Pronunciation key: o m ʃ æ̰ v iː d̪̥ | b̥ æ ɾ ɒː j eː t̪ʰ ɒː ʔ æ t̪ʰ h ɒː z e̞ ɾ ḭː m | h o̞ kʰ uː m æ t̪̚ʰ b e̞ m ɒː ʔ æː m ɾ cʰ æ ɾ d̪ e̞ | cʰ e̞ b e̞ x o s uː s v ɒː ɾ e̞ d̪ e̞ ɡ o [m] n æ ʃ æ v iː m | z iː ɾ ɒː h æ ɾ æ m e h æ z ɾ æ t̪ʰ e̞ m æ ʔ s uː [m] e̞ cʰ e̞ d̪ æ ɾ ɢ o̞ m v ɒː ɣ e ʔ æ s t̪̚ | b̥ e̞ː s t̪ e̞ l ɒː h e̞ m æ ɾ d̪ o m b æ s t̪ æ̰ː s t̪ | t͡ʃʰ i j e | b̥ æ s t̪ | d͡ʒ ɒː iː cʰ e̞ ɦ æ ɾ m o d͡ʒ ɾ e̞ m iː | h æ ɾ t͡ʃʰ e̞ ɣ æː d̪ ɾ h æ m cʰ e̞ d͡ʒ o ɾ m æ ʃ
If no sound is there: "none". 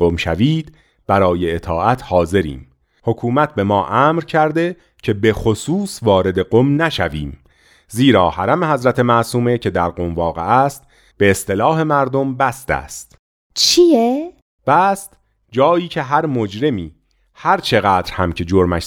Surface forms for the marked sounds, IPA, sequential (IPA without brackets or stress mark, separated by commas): m, m